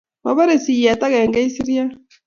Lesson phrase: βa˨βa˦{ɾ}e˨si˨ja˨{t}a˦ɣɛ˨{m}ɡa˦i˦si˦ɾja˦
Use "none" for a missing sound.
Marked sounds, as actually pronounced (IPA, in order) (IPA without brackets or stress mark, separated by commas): ɾ, t, ŋ